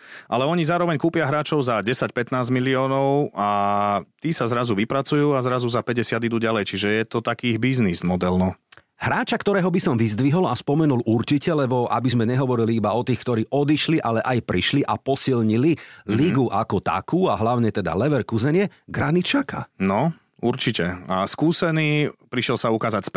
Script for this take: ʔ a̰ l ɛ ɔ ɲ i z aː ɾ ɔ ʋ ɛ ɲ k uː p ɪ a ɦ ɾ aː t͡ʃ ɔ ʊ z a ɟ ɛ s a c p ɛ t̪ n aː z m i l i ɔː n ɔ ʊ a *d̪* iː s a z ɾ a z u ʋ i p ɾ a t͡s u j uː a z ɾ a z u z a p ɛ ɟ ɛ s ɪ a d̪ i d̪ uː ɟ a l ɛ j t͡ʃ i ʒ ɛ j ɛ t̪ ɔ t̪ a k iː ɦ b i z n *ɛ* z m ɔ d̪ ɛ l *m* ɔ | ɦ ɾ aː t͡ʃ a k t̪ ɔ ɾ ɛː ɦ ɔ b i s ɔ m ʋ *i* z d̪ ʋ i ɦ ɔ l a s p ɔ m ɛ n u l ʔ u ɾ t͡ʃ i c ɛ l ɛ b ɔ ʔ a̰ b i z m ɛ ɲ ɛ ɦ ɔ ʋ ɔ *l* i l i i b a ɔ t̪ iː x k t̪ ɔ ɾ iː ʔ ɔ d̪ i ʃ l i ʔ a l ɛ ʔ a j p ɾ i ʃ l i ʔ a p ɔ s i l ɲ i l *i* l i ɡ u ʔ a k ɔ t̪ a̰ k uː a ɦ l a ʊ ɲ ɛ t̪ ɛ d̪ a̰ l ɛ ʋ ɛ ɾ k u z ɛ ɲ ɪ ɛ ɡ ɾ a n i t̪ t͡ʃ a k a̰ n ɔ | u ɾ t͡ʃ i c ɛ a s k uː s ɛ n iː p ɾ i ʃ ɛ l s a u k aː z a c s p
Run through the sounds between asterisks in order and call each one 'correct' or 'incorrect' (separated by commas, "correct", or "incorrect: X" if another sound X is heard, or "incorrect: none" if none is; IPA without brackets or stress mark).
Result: incorrect: t̪, incorrect: i, incorrect: n, correct, incorrect: ɾ, correct